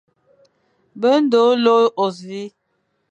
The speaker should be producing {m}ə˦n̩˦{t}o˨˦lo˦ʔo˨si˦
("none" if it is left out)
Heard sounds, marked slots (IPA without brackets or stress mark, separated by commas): b, d